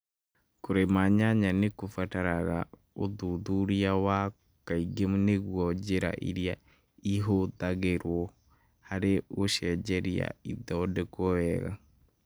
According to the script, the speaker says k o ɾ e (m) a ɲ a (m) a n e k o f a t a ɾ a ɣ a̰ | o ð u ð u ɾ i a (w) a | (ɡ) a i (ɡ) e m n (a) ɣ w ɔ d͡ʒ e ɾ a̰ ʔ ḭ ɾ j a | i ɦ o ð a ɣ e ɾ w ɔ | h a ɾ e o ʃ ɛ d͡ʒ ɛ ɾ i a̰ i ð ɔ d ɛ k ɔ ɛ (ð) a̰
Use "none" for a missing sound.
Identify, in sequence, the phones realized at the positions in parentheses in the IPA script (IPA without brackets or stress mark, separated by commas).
m, ɲ, w, k, ɡ, e, ɣ